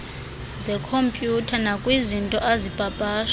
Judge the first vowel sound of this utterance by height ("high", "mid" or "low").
mid